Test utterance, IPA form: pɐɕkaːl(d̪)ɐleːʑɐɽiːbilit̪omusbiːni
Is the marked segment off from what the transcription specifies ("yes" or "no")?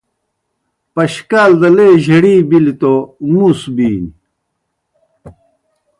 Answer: no